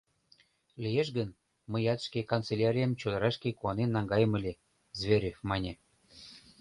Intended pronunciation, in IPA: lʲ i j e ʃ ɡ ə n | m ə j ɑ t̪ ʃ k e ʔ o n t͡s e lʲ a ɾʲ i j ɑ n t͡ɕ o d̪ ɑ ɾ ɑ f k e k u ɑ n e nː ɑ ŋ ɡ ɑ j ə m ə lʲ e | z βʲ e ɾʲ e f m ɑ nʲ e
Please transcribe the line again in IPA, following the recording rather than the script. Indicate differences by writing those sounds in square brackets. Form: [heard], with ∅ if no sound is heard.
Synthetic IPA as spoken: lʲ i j e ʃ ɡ ə n | m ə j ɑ t̪ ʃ k e [k] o n t͡s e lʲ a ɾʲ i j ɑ [m] t͡ɕ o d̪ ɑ ɾ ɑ [ʃ] k e k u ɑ n e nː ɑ ŋ ɡ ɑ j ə m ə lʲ e | z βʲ e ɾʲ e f m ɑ nʲ e